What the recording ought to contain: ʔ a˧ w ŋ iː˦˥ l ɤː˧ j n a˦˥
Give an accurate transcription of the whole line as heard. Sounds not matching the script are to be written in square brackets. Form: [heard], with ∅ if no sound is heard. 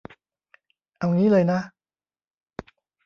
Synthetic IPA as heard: ʔ a˧ w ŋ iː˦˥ l ɤː˧ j n a˦˥